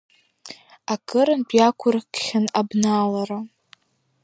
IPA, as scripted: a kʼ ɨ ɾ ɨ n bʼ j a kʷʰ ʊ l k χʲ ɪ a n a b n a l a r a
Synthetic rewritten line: a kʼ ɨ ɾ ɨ n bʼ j a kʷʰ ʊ r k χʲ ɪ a n a b n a l a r a